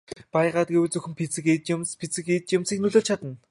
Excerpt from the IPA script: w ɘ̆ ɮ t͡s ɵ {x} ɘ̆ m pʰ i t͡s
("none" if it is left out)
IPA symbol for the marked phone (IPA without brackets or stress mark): x